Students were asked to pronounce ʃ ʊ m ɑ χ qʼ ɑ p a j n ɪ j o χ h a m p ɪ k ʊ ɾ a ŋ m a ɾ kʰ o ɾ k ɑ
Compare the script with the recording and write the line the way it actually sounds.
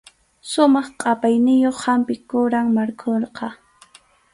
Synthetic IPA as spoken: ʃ ʊ m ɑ χ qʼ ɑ p a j n ɪ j o χ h a m p ɪ k ʊ ɾ a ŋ m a ɾ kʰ o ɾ q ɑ